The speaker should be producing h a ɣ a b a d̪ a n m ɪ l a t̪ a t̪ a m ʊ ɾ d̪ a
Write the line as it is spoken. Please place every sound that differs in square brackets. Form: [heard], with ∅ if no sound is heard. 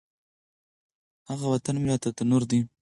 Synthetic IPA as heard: h a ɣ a [w] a [t̪] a n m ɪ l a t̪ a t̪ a [n] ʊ ɾ d̪ [i]